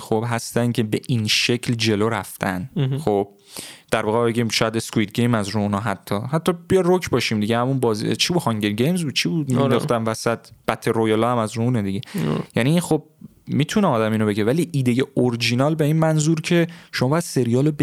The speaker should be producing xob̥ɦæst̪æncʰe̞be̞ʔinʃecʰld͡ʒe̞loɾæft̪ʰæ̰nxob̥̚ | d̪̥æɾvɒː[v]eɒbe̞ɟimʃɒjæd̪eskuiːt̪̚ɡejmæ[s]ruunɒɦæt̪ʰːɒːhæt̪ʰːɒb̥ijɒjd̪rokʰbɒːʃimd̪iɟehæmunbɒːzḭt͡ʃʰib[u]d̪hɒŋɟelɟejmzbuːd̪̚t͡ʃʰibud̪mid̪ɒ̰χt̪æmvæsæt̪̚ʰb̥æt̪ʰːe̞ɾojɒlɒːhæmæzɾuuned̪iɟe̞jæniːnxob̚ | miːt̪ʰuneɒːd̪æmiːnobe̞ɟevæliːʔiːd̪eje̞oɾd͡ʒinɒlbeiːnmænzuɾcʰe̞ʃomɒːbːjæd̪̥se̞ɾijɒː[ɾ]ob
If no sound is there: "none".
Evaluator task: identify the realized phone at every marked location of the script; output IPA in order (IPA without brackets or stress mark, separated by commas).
ɣ, z, u, l